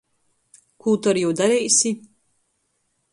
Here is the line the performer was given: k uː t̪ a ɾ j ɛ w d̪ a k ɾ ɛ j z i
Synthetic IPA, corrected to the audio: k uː t̪ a ɾ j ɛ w d̪ a ɾ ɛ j s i